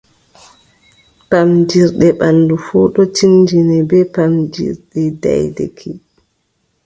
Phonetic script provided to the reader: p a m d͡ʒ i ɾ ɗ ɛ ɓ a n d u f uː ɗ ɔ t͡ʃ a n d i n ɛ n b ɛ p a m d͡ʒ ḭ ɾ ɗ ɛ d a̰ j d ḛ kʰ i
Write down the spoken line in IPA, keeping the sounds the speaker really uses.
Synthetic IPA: p a m d͡ʒ i ɾ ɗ ɛ ɓ a n d u f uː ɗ ɔ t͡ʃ i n d͡ʒ i n ɛ b ɛ p a m d͡ʒ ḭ ɾ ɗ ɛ d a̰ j d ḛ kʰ i